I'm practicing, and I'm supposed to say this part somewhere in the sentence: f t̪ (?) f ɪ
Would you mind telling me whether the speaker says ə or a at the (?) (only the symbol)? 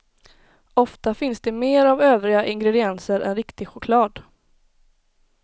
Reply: a